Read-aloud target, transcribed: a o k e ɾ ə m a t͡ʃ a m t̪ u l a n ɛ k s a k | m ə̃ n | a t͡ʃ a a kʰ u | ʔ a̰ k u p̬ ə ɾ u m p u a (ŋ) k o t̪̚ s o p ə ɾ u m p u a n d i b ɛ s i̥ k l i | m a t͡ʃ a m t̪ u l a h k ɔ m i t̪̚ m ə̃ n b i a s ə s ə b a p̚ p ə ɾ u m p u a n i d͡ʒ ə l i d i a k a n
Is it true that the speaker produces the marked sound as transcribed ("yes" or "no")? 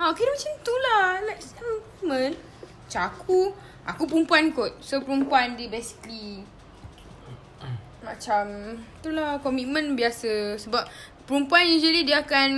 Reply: no